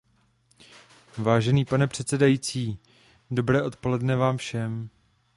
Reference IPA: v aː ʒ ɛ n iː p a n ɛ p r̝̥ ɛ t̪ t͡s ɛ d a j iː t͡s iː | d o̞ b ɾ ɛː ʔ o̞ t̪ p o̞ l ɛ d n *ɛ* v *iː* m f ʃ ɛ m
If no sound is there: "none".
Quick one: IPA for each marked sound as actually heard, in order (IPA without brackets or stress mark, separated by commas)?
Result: ɛ, aː